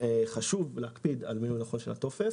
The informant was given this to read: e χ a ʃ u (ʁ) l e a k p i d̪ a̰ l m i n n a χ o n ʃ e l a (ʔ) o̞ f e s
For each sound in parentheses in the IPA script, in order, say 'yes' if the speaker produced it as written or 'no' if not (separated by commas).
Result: no, no